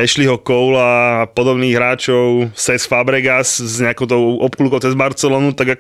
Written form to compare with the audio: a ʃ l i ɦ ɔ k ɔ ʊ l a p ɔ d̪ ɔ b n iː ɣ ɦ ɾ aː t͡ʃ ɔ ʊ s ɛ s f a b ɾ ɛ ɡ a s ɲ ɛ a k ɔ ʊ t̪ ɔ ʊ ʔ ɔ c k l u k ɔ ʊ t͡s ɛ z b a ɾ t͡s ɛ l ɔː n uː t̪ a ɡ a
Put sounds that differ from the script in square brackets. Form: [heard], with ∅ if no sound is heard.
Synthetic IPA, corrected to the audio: [ɛ] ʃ l i ɦ ɔ k ɔ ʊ l a p ɔ d̪ ɔ b n iː ɣ ɦ ɾ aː t͡ʃ ɔ ʊ s ɛ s f a b ɾ ɛ ɡ a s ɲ ɛ a k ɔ ʊ t̪ ɔ ʊ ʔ ɔ [p] k l u k ɔ ʊ t͡s ɛ z b a ɾ t͡s ɛ l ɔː n [u] t̪ a ɡ a